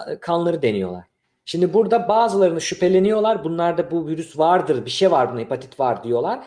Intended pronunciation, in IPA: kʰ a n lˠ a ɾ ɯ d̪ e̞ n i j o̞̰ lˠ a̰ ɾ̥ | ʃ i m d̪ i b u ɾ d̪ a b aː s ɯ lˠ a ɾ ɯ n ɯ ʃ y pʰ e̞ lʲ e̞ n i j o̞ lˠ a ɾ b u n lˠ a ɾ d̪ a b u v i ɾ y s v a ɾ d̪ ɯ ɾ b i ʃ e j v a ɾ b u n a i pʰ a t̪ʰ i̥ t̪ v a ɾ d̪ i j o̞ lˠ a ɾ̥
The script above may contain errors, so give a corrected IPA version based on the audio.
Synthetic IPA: kʰ a n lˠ a ɾ ɯ d̪ e̞ n i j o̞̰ lˠ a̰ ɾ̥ | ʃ i m d̪ i b u ɾ d̪ a b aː z ɯ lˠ a ɾ ɯ n ɯ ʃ y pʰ e̞ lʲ e̞ n i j o̞ lˠ a ɾ b u n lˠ a ɾ d̪ a b u v i ɾ y s v a ɾ d̪ ɯ ɾ b i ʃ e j v a ɾ b u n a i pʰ a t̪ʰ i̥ t̪ v a ɾ d̪ i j o̞ lˠ a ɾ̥